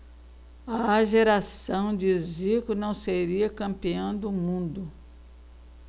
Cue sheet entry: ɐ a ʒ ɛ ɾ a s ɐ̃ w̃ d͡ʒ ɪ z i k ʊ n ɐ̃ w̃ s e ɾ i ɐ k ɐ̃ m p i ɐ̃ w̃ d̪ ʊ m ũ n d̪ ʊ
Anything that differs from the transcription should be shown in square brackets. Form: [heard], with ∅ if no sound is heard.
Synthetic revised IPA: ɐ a ʒ [e] ɾ a s ɐ̃ w̃ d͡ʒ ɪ z i k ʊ n ɐ̃ w̃ s e ɾ i ɐ k ɐ̃ m p i ɐ̃ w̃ d̪ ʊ m ũ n d̪ ʊ